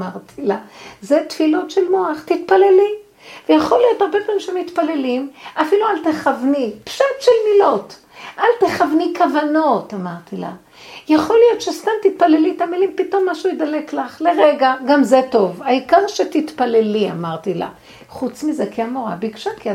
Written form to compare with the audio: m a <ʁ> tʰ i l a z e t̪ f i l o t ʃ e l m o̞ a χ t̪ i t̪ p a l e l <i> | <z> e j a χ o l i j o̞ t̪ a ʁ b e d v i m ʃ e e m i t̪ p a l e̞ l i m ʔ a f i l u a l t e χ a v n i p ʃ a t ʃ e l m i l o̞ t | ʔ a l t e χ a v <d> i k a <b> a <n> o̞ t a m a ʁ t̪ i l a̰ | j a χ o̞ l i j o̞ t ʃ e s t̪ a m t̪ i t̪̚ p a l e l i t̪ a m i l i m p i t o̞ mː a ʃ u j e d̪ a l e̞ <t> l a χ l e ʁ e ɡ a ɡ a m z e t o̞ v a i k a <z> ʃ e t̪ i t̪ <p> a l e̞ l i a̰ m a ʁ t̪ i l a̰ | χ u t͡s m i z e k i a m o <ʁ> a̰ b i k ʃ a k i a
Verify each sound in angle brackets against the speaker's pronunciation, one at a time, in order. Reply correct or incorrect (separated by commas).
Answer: correct, correct, incorrect, incorrect, incorrect, correct, incorrect, incorrect, correct, correct